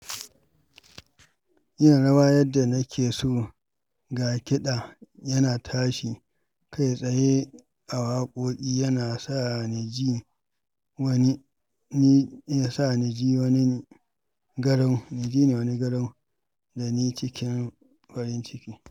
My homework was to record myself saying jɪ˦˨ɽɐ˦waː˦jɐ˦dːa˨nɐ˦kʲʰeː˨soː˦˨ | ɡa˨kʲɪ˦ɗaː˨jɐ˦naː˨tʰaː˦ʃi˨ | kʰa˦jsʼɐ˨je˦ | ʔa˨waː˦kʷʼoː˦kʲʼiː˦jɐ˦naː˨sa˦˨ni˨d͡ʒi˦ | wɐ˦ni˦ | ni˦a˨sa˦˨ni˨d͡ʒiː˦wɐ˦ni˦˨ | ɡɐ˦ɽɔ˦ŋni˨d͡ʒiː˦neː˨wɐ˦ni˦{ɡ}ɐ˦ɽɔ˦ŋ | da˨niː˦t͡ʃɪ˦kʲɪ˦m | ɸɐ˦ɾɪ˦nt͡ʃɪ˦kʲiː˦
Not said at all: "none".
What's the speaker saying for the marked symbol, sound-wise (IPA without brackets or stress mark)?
ɡ